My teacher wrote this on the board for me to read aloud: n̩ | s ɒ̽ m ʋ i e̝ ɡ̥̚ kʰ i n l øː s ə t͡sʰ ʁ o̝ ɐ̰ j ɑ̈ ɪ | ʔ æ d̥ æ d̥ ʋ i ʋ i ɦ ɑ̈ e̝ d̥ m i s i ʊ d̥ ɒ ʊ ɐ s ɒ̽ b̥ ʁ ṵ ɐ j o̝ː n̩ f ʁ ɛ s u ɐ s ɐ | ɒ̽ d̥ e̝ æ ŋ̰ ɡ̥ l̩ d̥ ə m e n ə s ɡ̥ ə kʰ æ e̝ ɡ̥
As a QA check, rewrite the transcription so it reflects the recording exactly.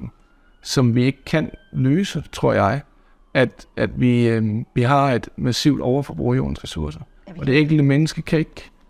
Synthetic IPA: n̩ | s ɒ̽ m ʋ i e̝ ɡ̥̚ kʰ æ n l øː s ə t͡sʰ ʁ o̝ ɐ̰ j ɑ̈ ɪ | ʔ æ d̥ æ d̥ ʋ i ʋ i ɦ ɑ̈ e̝ d̥ m æ s i ʊ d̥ ɒ ʊ ɐ f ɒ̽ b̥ ʁ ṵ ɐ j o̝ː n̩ s ʁ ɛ s u ɐ s ɐ | ɒ̽ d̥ e̝ e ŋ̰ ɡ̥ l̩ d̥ ə m e n ə s ɡ̥ ə kʰ æ e̝ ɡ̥